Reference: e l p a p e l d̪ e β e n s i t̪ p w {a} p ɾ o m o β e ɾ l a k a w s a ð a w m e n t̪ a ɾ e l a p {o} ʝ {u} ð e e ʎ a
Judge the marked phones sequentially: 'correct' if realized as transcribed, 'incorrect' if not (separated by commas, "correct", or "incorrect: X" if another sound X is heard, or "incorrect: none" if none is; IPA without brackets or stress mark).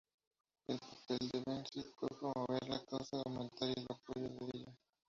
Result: incorrect: e, correct, incorrect: o